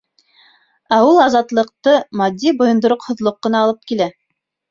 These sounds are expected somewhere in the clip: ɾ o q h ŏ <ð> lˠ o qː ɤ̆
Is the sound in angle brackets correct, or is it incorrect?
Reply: correct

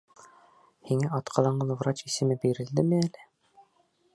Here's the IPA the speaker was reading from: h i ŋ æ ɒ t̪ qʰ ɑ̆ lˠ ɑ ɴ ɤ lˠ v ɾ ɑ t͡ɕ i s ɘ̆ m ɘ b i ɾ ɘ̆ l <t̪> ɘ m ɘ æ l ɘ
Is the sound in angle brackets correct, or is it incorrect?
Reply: incorrect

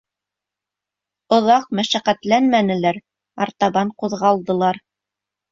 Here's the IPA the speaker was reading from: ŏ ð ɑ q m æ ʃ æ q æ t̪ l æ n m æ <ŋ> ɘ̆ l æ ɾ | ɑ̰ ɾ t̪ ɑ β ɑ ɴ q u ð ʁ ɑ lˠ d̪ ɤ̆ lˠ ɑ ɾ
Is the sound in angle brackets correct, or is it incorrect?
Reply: incorrect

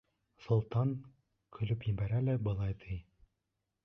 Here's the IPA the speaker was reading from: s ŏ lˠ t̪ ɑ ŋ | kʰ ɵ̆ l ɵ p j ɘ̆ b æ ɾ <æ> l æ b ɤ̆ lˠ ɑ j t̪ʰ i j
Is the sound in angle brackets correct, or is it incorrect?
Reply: correct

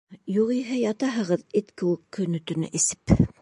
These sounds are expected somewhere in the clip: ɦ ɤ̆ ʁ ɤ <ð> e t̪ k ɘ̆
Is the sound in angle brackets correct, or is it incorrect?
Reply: correct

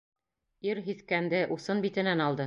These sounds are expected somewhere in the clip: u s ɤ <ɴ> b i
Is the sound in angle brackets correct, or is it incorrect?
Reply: incorrect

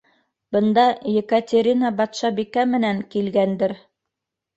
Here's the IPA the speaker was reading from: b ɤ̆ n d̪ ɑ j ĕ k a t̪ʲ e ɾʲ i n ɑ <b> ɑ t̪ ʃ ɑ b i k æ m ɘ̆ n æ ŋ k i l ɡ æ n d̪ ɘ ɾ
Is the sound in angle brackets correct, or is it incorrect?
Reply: correct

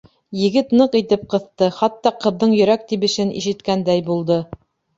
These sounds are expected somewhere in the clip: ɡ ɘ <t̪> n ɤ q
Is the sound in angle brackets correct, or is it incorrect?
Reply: correct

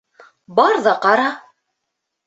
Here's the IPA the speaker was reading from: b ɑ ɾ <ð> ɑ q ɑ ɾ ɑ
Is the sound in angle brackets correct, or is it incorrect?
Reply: correct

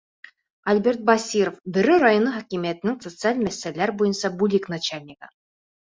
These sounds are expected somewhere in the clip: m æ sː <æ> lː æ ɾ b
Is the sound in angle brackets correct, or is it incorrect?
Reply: correct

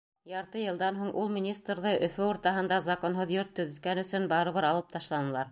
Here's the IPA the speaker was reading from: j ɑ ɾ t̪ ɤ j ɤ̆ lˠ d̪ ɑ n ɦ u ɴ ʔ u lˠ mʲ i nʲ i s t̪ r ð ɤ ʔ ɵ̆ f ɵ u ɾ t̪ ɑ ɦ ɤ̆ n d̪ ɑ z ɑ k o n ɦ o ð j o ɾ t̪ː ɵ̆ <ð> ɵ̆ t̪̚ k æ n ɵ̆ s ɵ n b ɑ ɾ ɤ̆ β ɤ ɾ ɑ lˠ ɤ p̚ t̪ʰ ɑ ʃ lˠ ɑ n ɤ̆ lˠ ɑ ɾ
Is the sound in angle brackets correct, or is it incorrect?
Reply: correct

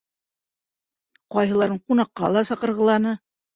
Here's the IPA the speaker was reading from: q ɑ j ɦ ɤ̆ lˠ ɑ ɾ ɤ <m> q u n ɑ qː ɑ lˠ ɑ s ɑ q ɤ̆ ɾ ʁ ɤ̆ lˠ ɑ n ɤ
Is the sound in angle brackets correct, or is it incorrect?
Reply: incorrect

